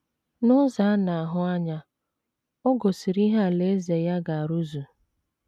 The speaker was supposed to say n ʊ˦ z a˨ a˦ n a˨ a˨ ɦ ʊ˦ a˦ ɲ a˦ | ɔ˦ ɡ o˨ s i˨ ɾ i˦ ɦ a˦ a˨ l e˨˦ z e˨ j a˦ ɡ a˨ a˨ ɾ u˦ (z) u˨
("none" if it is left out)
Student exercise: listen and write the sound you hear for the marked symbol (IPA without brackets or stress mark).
z